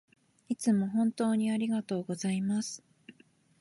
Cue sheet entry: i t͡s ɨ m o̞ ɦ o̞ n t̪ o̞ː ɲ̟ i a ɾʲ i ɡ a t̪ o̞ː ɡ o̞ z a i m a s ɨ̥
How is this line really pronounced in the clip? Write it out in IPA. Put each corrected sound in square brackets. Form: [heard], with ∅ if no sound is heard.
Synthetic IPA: i t͡s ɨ m o̞ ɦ [õ̞] n t̪ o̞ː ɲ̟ i a ɾʲ i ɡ a t̪ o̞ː ɡ o̞ z a i m a s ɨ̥